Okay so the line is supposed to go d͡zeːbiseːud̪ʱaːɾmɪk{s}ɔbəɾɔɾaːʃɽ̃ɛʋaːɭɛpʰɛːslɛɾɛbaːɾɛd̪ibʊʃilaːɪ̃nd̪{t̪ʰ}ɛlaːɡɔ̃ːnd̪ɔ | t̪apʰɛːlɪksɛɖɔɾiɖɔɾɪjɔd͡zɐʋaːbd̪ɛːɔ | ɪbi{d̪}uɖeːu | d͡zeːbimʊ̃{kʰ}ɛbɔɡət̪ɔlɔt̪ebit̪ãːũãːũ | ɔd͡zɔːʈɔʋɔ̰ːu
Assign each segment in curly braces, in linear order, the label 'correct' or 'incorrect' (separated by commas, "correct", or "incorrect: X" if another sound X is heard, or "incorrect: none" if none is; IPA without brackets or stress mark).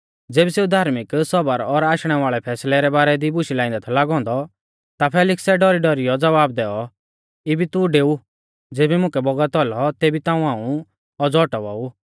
correct, correct, incorrect: t̪, incorrect: k